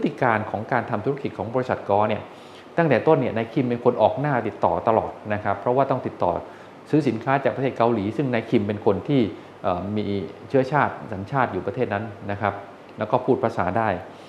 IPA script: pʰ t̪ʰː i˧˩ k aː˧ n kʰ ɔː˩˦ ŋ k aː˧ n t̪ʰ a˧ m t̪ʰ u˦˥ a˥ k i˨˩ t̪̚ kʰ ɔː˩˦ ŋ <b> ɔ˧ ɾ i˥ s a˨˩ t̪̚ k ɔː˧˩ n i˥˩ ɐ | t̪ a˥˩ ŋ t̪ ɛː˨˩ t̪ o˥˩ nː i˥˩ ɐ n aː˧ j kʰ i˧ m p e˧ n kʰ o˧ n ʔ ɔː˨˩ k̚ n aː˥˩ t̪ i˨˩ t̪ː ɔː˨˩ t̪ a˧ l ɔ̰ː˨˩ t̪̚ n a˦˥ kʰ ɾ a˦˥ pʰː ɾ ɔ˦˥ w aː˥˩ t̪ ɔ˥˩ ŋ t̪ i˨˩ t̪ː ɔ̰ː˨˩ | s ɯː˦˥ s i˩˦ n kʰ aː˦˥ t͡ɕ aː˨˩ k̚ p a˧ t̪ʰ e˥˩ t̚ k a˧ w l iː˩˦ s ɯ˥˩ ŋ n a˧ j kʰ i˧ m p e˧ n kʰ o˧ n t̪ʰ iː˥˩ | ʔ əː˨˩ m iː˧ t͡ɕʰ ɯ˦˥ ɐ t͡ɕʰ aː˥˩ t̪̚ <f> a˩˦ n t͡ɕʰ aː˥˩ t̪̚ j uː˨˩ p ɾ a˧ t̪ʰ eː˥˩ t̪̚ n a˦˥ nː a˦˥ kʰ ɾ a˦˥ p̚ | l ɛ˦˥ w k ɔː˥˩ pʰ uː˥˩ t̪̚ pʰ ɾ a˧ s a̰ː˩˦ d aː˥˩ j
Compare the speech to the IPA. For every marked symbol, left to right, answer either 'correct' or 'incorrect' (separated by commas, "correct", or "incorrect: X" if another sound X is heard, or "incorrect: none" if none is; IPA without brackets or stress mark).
correct, incorrect: s